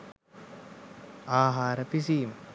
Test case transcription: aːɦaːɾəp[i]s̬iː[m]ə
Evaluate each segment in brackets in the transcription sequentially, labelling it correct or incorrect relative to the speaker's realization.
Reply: correct, correct

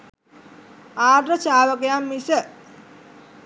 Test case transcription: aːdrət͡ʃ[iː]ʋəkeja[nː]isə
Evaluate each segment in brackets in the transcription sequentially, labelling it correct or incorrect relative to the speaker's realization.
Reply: incorrect, incorrect

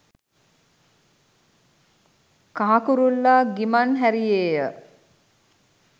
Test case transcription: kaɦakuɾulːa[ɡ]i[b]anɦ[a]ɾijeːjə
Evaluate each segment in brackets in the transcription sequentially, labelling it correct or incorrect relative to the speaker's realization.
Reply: correct, incorrect, incorrect

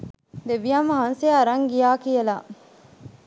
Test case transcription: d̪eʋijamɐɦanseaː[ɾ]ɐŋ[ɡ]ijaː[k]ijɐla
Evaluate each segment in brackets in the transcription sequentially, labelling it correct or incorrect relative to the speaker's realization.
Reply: correct, correct, correct

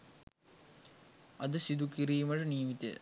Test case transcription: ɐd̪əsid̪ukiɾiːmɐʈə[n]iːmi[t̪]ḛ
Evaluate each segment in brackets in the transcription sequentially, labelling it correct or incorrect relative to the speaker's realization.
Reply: correct, correct

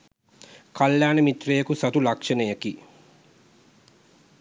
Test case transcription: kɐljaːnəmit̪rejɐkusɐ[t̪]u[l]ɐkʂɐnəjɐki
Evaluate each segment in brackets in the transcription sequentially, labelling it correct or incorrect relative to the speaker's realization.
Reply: correct, correct

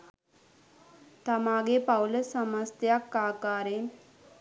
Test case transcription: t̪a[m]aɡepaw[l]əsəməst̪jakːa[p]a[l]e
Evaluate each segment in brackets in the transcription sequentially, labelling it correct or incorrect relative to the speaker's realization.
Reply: correct, correct, incorrect, incorrect

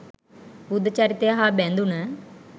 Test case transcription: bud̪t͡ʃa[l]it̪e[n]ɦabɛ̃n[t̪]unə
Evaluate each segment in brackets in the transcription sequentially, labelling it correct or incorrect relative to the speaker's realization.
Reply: incorrect, incorrect, incorrect

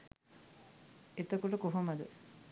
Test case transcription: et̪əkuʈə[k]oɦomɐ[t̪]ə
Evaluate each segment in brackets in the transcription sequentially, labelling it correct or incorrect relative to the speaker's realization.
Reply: correct, incorrect

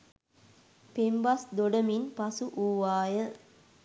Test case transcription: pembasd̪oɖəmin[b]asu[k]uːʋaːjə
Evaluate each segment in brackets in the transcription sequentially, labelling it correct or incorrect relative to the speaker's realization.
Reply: incorrect, incorrect

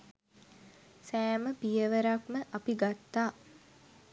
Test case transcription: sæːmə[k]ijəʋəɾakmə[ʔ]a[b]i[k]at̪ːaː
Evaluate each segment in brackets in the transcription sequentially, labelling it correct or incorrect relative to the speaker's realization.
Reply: incorrect, correct, incorrect, incorrect

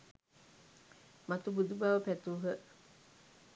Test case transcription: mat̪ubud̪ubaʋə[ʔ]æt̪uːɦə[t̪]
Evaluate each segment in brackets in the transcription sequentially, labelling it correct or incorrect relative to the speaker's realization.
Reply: incorrect, incorrect

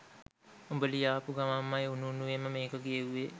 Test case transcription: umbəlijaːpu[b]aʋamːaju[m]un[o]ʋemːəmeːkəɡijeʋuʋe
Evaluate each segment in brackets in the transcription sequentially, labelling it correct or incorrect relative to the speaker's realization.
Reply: incorrect, incorrect, incorrect

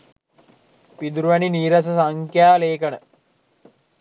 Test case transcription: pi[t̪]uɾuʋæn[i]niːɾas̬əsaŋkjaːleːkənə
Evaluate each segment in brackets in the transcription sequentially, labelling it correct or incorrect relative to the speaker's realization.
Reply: incorrect, correct

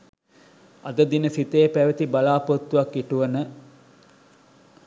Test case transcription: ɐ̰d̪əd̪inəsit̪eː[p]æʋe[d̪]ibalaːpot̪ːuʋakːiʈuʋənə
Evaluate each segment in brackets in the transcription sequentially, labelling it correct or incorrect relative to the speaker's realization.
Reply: correct, incorrect

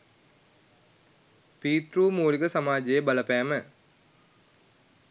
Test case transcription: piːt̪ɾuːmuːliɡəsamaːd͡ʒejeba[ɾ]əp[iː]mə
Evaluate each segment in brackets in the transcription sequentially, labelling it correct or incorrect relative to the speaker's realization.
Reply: incorrect, incorrect

